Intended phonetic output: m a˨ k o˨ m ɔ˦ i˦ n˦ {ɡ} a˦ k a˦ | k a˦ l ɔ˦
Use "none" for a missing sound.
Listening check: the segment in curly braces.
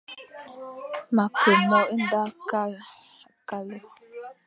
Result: d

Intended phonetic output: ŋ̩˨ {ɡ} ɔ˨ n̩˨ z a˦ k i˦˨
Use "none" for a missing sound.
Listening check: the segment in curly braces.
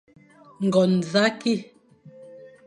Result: ɡ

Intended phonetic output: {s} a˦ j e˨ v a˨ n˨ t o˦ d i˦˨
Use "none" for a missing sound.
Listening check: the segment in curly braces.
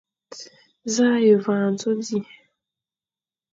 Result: z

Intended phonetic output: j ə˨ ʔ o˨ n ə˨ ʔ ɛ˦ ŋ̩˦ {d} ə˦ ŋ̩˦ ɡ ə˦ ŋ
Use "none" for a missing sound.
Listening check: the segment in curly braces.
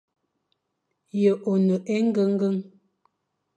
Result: ɡ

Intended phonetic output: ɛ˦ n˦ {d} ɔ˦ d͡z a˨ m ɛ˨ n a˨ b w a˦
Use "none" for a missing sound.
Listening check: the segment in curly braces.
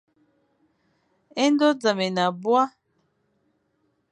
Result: d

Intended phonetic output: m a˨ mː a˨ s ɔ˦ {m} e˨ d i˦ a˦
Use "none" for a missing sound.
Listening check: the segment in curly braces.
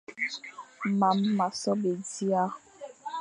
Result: b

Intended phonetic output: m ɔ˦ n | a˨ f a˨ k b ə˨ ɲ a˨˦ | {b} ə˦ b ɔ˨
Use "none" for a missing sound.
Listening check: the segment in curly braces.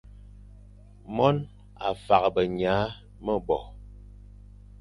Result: m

